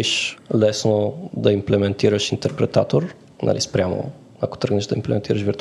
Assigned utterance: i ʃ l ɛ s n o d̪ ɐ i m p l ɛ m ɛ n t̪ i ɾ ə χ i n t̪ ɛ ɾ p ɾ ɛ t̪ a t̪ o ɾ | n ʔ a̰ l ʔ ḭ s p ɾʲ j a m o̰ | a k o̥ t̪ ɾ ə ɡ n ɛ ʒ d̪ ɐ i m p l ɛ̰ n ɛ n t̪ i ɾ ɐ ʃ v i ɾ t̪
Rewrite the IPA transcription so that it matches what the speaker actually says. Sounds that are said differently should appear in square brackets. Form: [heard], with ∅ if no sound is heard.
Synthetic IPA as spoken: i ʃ l ɛ s n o d̪ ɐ i m p l ɛ m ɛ n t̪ i ɾ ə [ʃ] i n t̪ ɛ ɾ p ɾ ɛ t̪ a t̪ o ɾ | n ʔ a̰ l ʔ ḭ s p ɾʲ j a m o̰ | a k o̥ t̪ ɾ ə ɡ n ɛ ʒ d̪ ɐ i m p l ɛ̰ [m] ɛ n t̪ i ɾ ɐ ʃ v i ɾ t̪